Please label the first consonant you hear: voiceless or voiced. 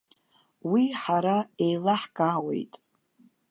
voiced